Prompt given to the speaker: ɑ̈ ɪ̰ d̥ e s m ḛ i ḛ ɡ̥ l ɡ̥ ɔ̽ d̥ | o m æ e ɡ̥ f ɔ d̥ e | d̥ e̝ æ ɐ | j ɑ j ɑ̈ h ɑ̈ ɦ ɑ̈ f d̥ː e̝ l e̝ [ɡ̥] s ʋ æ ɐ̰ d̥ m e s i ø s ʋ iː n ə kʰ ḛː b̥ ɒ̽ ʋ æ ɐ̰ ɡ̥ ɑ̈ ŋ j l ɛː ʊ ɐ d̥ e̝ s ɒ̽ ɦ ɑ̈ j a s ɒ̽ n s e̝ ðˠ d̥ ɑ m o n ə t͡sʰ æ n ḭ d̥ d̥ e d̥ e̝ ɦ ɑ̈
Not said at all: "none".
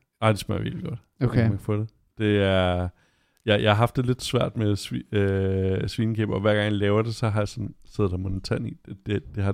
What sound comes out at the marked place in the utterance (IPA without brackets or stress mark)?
d̥